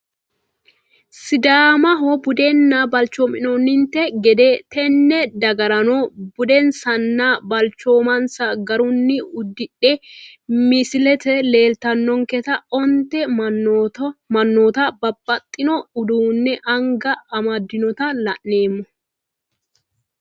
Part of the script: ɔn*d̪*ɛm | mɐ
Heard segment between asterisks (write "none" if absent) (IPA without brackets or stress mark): t̪